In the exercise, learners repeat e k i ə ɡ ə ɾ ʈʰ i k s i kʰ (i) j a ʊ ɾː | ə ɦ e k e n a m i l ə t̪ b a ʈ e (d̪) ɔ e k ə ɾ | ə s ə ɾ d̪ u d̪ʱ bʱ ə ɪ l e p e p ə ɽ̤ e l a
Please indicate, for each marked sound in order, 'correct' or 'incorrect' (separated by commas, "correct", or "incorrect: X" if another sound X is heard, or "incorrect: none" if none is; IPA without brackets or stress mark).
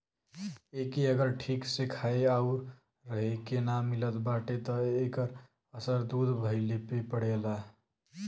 incorrect: a, incorrect: t̪